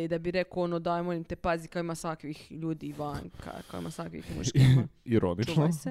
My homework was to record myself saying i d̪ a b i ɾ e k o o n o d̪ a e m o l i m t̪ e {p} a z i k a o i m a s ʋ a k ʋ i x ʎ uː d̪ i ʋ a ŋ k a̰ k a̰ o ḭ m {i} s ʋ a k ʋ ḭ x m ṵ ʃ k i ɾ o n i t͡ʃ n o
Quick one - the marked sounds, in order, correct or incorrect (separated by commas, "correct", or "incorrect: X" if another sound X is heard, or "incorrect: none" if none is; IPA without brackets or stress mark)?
correct, incorrect: a